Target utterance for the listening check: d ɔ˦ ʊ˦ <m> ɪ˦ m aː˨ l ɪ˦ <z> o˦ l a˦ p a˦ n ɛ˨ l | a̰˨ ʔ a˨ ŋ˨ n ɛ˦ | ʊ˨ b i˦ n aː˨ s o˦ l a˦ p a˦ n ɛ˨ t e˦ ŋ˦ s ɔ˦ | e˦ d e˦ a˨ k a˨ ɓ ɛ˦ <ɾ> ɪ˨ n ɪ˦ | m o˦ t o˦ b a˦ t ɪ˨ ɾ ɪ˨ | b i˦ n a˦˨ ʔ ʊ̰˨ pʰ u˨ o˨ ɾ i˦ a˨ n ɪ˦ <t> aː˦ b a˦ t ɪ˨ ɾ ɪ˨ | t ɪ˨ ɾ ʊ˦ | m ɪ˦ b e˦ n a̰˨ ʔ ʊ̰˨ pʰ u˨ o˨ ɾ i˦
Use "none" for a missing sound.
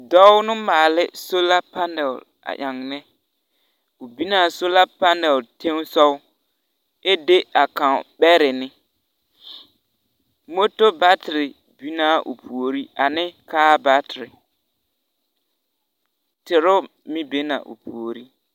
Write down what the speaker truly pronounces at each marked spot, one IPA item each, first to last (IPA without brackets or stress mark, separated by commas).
n, s, ɾ, k